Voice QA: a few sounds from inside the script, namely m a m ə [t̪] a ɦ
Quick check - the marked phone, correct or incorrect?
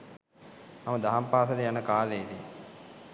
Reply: incorrect